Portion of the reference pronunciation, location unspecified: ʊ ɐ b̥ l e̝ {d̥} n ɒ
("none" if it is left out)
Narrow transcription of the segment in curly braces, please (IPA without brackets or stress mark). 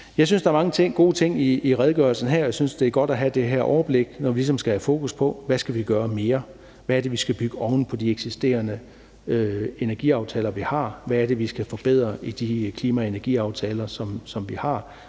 ɡ̥